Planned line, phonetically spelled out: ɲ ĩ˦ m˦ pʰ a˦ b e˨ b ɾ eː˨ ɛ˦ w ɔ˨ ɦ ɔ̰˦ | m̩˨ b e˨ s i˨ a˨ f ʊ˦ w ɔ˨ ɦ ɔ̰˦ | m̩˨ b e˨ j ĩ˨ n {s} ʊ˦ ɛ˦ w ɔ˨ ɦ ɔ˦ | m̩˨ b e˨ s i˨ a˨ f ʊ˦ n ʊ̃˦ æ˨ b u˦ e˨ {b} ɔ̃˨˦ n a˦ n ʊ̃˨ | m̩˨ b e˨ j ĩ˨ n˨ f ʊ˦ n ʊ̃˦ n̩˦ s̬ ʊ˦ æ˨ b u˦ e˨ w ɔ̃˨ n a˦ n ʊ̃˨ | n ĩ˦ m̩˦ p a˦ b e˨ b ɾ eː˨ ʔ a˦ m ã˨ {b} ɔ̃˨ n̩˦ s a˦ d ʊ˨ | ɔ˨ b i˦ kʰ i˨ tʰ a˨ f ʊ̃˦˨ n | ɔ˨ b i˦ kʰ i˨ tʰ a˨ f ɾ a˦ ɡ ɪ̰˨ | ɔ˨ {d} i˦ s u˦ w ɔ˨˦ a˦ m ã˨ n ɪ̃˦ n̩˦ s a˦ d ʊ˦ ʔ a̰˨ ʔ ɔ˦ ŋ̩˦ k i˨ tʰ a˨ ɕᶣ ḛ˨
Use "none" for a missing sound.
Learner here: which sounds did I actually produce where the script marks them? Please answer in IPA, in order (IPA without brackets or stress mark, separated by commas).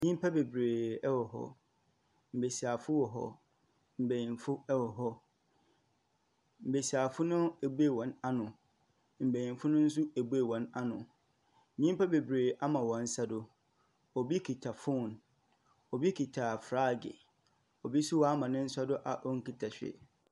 f, w, w, b